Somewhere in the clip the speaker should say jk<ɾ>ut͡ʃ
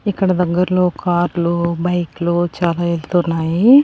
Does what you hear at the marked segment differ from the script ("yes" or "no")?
yes